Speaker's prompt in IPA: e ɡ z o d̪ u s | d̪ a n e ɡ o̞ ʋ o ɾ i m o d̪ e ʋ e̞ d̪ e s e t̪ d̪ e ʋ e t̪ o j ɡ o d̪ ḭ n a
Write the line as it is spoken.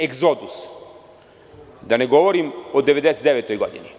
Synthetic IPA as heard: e ɡ z o d̪ u s | d̪ a n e ɡ o̞ ʋ o ɾ i m o d̪ e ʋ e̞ d̪ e s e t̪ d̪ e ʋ e t̪ o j ɡ o d̪ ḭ n i